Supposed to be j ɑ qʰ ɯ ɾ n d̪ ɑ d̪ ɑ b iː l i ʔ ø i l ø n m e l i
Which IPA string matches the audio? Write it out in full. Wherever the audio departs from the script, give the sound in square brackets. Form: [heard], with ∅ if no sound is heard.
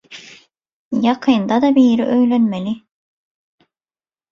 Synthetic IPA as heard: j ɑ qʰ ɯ [∅] n d̪ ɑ d̪ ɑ b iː [ɾ] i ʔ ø [j] l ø n m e l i